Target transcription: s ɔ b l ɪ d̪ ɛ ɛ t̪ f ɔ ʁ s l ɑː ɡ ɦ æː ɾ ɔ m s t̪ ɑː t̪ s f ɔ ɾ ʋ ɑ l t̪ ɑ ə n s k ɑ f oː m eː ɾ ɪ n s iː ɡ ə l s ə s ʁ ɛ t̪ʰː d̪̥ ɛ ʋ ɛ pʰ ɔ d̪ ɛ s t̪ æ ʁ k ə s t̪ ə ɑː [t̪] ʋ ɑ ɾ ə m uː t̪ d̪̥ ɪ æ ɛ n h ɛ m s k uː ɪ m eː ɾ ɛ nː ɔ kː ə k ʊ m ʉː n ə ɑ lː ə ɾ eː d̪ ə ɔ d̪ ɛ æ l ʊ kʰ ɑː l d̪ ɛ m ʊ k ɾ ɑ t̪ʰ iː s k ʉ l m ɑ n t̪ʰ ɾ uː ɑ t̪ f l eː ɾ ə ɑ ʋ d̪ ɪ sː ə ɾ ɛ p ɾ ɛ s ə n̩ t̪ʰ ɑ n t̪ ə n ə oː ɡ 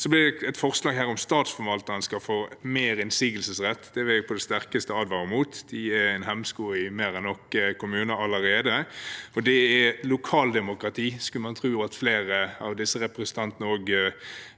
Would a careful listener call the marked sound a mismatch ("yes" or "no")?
yes